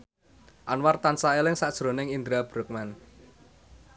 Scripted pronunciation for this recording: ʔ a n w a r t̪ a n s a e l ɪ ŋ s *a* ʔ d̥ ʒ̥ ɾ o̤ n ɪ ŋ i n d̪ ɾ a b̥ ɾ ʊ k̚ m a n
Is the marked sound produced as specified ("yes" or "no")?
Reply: yes